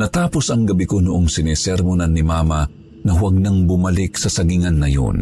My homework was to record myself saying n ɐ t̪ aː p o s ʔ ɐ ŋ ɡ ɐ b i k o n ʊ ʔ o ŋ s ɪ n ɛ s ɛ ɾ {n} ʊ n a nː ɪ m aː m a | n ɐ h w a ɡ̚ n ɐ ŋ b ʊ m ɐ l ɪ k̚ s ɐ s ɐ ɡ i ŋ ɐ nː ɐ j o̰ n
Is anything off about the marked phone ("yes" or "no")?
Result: yes